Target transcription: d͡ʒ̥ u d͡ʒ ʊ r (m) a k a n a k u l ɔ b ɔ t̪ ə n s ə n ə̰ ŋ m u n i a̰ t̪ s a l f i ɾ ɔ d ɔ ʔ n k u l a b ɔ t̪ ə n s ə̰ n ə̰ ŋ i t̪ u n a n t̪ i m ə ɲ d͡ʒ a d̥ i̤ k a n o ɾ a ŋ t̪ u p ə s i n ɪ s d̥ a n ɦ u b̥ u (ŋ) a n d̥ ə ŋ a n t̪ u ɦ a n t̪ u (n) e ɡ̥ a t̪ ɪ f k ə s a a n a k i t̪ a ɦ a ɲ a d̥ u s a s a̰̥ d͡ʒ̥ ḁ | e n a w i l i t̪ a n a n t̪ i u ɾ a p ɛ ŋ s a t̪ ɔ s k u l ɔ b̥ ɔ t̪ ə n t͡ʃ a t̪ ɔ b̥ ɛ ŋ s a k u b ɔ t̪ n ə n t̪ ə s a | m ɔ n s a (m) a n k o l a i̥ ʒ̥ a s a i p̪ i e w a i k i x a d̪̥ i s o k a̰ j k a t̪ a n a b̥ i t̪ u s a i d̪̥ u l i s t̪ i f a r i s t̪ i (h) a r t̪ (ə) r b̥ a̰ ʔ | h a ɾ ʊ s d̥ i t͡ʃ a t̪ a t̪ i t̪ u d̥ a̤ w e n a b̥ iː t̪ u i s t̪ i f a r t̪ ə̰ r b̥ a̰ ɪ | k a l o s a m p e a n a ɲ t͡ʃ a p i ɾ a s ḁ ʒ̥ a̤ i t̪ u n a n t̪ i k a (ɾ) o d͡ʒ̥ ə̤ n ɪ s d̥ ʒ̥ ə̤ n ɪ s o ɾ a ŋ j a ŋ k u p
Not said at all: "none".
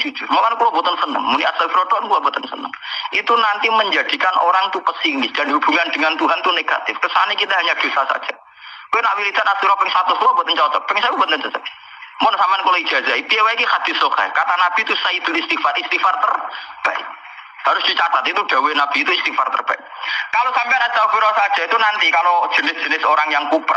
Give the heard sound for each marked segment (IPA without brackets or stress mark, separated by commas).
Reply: m, ŋ, n, m, f, ə, l